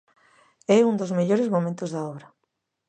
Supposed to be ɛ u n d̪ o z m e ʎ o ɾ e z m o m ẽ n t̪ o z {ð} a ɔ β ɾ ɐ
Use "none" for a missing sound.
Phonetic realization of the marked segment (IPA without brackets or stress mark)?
ð